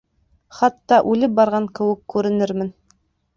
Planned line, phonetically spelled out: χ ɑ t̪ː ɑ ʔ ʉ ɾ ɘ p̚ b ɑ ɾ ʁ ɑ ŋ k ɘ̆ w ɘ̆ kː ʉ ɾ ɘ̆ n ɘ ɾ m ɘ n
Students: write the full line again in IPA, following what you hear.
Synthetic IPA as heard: χ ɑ t̪ː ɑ ʔ ʉ l ɘ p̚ b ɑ ɾ ʁ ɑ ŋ k ɘ̆ w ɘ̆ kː ʉ ɾ ɘ̆ n ɘ ɾ m ɘ n

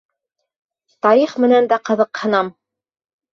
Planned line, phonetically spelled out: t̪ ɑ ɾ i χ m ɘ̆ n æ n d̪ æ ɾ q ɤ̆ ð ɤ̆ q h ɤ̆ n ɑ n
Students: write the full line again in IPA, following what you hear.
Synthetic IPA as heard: t̪ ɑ ɾ i χ m ɘ̆ n æ n d̪ æ q ɤ̆ ð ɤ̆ q h ɤ̆ n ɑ m

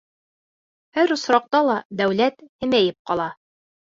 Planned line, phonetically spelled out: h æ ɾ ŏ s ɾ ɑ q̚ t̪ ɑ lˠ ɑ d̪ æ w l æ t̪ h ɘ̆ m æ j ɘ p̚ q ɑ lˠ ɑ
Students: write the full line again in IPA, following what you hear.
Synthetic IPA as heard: h æ ɾ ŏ s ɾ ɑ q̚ t̪ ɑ lˠ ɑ d̪ æ w l æ t̪ h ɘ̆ m æ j ɘ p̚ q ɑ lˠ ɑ

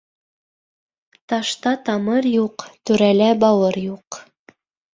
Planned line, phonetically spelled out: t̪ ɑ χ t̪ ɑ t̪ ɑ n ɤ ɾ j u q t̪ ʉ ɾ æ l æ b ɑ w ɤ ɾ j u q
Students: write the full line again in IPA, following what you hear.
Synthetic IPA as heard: t̪ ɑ ʃ t̪ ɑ t̪ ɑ m ɤ ɾ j u q t̪ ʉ ɾ æ l æ b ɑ w ɤ ɾ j u q

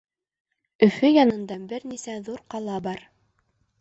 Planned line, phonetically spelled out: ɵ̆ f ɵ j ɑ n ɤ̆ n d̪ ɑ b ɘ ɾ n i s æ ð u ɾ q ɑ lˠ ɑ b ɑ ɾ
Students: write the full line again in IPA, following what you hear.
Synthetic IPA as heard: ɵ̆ f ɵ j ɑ n ɤ̆ n d̪ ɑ b ɘ ɾ n i s æ ð u ɾ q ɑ lˠ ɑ b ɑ ɾ

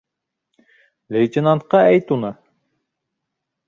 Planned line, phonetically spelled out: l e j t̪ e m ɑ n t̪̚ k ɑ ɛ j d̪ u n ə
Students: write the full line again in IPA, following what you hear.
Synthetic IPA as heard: l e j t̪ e n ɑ n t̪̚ q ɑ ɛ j t̪ u n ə

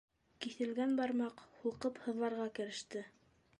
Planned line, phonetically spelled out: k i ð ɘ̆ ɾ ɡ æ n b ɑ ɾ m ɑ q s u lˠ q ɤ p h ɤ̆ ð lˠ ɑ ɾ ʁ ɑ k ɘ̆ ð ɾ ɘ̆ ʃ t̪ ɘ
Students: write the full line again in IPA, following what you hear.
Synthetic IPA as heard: k i θ ɘ̆ l ɡ æ n b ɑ ɾ m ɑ q h u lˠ q ɤ p h ɤ̆ ð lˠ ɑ ɾ ʁ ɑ k ɘ̆ ɾ ɘ̆ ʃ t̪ ɘ

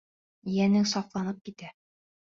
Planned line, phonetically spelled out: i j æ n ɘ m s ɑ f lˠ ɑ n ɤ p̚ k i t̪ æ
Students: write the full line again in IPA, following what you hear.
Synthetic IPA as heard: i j æ n ɘ ŋ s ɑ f lˠ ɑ n ɤ p̚ k i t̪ æ

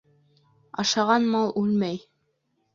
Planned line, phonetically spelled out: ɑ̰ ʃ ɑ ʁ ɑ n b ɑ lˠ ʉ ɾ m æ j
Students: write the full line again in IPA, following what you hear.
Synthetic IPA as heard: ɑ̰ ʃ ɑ ʁ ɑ n m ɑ lˠ ʉ l m æ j

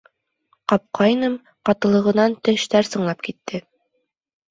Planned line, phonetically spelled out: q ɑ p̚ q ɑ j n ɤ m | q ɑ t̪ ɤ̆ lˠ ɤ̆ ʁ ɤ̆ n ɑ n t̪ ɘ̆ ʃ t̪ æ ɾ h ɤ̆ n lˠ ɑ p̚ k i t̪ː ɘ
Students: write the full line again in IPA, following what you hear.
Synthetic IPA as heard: q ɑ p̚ q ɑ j n ɤ m | q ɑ t̪ ɤ̆ lˠ ɤ̆ ʁ ɤ̆ n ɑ n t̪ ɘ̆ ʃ t̪ æ ɾ s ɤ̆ ɴ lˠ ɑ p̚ k i t̪ː ɘ

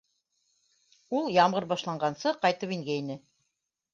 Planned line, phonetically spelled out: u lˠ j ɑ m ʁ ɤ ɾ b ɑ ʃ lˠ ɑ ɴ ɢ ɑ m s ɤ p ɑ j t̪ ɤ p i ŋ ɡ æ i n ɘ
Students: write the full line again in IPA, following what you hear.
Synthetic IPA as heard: u lˠ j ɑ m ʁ ɤ ɾ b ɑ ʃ lˠ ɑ ɴ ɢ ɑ n s ɤ q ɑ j t̪ ɤ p i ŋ ɡ æ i n ɘ

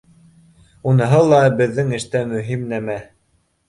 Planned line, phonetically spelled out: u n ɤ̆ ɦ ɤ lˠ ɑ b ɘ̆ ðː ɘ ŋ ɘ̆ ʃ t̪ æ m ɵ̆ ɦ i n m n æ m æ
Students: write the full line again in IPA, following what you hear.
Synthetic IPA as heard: u n ɤ̆ ɦ ɤ lˠ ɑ b ɘ̆ ðː ɘ ŋ ɘ̆ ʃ t̪ æ m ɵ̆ ɦ i m n æ m æ

